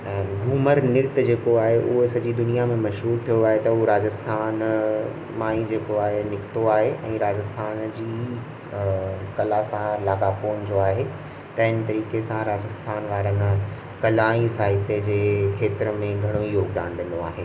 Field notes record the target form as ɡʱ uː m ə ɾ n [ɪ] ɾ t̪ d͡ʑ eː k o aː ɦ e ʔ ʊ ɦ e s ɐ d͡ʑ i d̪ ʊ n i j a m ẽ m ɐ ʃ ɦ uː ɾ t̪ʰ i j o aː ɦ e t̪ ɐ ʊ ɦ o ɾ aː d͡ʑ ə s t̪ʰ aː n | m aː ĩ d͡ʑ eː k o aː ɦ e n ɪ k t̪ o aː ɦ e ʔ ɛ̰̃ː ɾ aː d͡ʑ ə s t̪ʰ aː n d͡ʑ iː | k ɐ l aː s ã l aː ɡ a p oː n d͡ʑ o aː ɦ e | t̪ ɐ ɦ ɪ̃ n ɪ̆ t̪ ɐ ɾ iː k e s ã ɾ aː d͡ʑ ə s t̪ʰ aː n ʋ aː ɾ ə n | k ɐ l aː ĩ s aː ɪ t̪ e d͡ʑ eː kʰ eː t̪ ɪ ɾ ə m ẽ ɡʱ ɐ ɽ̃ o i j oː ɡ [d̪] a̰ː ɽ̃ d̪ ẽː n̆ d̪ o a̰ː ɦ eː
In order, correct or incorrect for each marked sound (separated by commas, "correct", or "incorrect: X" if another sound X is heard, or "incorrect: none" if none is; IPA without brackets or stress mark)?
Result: correct, correct